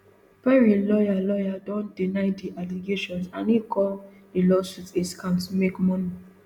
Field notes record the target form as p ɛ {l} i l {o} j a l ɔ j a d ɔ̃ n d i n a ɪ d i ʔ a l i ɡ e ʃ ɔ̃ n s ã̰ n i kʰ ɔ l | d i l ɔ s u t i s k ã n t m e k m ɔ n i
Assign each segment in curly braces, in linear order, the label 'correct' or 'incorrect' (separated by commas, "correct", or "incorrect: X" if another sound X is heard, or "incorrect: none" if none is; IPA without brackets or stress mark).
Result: incorrect: ɹ, incorrect: ɔ